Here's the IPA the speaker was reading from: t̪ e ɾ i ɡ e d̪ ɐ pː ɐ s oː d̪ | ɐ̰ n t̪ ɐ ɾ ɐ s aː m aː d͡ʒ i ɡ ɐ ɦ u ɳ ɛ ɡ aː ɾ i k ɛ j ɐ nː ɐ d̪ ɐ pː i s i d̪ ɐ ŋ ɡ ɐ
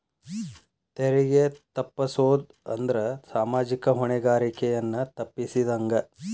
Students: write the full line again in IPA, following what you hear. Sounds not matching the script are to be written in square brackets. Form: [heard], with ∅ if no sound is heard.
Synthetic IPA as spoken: t̪ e ɾ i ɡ e [t̪] ɐ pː ɐ s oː d̪ | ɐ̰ n [d̪] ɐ ɾ ɐ s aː m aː d͡ʒ i [k] ɐ ɦ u ɳ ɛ ɡ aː ɾ i k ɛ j ɐ nː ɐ [t̪] ɐ pː i s i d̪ ɐ ŋ ɡ ɐ